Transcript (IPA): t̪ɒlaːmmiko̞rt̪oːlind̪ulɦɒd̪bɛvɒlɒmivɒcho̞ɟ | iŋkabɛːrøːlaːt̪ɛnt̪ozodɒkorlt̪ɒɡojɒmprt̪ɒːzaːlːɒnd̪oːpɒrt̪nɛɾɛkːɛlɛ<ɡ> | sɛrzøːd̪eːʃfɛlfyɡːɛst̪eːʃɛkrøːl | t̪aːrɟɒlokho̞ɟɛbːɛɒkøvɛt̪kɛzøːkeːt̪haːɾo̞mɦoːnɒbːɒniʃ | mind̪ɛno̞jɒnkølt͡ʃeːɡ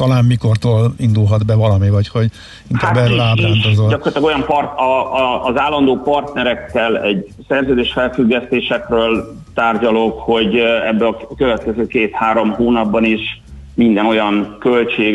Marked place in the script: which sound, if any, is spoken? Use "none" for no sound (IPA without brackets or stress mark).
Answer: ɟ